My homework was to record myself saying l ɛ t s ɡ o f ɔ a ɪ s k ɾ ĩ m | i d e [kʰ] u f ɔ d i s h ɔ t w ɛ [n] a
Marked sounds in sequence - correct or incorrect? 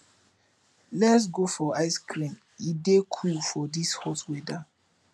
correct, incorrect: d

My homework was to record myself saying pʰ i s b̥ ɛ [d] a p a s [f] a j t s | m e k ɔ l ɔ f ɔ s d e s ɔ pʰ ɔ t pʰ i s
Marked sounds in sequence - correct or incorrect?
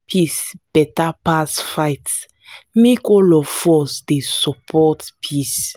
incorrect: t, correct

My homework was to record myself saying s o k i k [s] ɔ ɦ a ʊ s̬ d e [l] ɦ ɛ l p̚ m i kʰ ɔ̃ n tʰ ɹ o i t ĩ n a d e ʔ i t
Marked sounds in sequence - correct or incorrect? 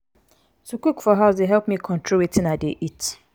incorrect: f, incorrect: none

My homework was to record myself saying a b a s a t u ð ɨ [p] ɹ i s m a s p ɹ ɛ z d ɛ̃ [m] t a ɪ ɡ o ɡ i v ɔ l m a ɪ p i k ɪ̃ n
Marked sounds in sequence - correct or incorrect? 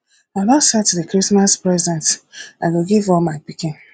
incorrect: k, incorrect: n

